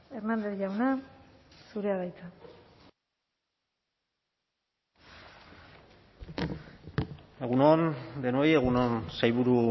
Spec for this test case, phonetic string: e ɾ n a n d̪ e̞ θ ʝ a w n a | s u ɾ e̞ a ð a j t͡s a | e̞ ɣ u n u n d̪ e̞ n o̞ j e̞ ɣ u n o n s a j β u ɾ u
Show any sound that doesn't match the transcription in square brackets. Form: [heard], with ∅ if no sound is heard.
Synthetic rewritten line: e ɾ n a n d̪ e̞ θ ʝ a w n a | s u ɾ e̞ a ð a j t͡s a | e̞ ɣ u n [o] n d̪ e̞ n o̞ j e̞ ɣ u n o n s a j β u ɾ u